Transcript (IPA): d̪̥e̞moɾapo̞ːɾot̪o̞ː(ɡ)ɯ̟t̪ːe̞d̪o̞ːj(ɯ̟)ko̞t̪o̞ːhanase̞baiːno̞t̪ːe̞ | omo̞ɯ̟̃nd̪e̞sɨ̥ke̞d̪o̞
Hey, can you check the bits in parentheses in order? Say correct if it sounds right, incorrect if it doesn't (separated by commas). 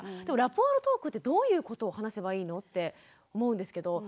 incorrect, incorrect